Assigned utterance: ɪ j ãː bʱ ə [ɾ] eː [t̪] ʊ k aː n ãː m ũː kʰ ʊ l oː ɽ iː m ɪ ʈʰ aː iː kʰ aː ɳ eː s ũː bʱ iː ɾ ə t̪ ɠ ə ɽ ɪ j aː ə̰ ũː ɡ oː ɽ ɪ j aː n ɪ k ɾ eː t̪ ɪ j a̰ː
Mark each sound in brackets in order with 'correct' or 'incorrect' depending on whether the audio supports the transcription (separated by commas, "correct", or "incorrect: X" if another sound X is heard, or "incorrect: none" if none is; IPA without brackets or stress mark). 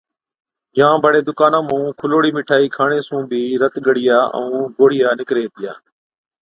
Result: incorrect: ɽ, incorrect: d̪